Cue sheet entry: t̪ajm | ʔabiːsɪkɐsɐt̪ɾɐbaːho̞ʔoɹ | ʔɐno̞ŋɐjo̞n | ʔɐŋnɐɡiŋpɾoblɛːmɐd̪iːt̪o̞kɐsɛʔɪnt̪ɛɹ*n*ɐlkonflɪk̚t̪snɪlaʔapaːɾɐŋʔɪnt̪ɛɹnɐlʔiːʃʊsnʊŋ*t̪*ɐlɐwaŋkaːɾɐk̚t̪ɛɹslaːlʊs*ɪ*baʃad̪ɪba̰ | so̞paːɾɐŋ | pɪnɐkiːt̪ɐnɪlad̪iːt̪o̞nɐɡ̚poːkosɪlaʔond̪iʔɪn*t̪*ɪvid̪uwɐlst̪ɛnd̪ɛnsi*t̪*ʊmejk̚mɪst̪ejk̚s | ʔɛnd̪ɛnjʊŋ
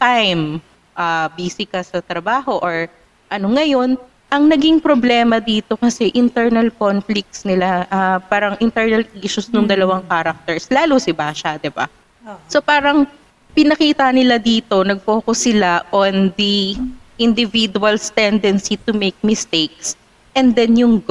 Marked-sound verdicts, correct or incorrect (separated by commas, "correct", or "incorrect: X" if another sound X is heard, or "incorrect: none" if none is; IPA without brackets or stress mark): correct, incorrect: d̪, correct, incorrect: d̪, correct